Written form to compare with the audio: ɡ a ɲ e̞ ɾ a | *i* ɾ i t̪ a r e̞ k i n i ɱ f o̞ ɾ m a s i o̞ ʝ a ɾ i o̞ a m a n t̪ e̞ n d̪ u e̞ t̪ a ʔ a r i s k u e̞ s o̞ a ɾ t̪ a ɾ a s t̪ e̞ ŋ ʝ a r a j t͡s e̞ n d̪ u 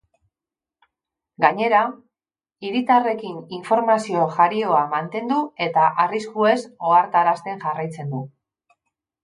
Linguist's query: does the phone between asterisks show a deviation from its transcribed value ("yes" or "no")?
no